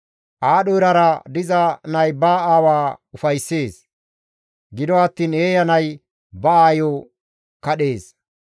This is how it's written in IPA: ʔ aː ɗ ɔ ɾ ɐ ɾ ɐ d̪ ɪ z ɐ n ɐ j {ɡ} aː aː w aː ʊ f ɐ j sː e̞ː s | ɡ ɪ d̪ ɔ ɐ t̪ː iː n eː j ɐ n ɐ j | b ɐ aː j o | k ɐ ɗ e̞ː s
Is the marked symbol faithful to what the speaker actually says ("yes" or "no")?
no